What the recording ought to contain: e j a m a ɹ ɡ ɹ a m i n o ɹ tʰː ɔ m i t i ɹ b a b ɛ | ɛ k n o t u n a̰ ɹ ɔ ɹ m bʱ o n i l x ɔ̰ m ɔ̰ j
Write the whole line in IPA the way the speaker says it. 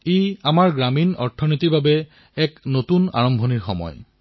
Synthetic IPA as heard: e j a m a ɹ ɡ ɹ a m i n ɔ ɹ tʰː ɔ n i t i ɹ b a b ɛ | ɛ k n o t u n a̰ ɹ ɔ m bʱ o n i ɹ x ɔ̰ m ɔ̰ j